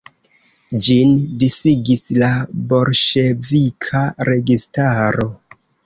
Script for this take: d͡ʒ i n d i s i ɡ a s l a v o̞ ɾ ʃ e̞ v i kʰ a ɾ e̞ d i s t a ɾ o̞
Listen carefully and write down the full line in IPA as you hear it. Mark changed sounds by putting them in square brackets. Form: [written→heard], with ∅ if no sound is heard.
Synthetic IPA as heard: d͡ʒ i n d i s i ɡ [a→i] s l a [v→b] o̞ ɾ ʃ e̞ v i kʰ a ɾ e̞ [d→ɡ] i s t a ɾ o̞